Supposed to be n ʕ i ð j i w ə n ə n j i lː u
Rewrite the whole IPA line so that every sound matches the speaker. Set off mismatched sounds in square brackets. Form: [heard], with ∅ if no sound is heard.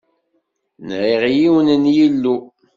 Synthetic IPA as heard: n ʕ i [ʁ] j i w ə n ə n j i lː u